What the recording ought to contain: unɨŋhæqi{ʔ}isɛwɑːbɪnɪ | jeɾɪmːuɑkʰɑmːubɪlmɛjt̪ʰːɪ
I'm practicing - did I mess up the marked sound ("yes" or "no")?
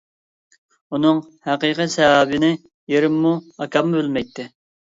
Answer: yes